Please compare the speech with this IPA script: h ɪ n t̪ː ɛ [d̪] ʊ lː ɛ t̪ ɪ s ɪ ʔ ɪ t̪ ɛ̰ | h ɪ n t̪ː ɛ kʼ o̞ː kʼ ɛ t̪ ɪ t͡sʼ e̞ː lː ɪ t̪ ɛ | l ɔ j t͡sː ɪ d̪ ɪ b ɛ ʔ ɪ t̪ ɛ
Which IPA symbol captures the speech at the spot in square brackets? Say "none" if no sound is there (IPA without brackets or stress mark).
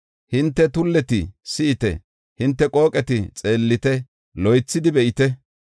t̪